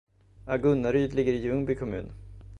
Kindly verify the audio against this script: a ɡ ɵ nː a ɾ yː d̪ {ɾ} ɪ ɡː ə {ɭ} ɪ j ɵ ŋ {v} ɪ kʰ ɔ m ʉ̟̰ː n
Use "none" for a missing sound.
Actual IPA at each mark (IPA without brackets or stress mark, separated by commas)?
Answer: l, ɾ, b